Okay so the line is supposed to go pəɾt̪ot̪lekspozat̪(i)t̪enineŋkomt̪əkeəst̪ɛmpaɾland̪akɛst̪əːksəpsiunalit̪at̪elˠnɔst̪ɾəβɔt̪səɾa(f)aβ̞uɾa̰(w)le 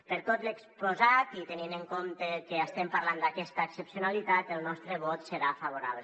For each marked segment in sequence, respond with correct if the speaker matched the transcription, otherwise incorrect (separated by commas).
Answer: correct, correct, incorrect